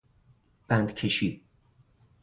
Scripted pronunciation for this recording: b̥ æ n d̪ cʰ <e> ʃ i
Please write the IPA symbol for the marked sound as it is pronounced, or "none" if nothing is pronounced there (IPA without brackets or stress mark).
e